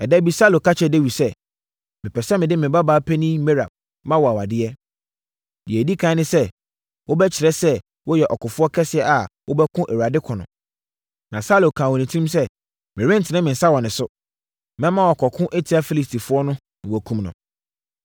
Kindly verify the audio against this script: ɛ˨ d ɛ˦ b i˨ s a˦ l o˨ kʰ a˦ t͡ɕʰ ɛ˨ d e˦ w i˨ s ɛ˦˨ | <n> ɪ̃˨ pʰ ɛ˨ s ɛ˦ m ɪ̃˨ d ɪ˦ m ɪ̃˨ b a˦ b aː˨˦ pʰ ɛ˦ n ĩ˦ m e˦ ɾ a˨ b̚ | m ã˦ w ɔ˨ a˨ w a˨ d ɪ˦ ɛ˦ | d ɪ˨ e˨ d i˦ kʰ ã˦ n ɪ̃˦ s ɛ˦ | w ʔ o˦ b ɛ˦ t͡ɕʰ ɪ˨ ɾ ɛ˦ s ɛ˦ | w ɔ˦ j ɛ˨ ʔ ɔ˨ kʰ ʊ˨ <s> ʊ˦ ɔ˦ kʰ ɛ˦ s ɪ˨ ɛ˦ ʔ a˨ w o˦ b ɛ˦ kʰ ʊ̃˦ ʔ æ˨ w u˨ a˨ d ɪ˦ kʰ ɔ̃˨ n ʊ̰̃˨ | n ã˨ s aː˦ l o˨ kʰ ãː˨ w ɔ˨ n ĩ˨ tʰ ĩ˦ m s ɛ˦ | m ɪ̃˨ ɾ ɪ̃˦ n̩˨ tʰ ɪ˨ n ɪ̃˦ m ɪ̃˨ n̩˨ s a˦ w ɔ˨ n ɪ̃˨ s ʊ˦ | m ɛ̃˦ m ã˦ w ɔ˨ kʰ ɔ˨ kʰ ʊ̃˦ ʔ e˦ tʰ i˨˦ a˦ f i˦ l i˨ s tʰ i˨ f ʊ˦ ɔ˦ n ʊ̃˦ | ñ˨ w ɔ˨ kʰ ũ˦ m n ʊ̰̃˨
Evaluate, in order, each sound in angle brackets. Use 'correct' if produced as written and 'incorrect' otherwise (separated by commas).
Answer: incorrect, incorrect